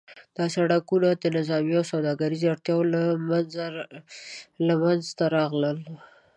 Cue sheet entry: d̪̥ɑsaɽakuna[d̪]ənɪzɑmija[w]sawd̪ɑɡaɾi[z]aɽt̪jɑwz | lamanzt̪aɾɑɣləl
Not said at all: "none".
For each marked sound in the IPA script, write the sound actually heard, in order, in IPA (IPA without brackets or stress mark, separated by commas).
d̪, w, z